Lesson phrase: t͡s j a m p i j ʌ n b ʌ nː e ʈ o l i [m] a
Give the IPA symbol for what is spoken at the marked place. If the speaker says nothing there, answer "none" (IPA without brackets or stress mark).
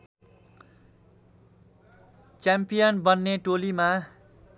m